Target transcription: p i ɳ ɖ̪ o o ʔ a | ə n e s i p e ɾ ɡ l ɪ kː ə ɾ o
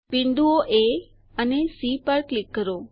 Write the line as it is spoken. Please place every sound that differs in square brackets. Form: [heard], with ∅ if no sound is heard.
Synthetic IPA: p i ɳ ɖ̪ [u] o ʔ [e] | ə n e s i p [a] ɾ [k] l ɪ kː ə ɾ o